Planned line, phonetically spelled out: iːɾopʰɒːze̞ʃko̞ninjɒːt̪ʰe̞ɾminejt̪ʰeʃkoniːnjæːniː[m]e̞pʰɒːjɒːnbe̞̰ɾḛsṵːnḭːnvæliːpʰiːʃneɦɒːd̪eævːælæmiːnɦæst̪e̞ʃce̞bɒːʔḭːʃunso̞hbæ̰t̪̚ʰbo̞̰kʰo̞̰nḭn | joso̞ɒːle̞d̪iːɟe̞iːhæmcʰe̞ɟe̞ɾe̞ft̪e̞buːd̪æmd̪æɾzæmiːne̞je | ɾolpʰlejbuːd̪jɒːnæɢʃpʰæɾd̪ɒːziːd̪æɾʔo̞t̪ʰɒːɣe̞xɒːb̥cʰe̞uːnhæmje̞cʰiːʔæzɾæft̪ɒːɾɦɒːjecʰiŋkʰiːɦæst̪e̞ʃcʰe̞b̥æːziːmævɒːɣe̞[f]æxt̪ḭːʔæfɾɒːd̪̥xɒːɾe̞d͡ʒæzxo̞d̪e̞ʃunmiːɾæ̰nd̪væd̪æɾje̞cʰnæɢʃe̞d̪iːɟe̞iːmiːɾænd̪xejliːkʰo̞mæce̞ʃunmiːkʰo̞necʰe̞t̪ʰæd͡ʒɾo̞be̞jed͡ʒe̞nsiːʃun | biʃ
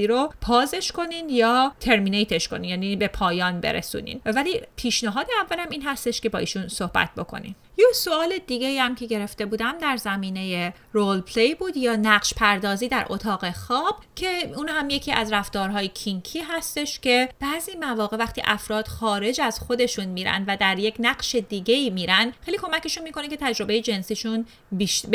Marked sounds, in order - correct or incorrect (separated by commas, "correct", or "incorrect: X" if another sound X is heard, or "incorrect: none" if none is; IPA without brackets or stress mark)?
incorrect: b, incorrect: v